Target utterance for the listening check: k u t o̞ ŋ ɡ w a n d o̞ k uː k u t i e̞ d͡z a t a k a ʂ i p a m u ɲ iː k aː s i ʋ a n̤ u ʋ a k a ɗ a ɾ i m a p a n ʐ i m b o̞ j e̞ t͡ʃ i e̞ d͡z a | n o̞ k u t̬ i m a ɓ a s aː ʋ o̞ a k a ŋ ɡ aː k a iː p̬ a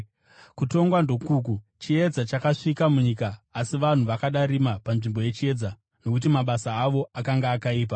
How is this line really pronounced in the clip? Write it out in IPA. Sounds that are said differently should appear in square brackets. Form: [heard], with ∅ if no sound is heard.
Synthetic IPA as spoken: k u t o̞ ŋ ɡ w a n d o̞ k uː k u [t͡ʃ] i e̞ d͡z a [t͡ʃ] a k a ʂ i [k] a m u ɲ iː k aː s i ʋ a n̤ u ʋ a k a ɗ a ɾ i m a p a n ʐ i m b o̞ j e̞ t͡ʃ i e̞ d͡z a | n o̞ k u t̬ i m a ɓ a s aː ʋ o̞ a k a ŋ ɡ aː k a iː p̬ a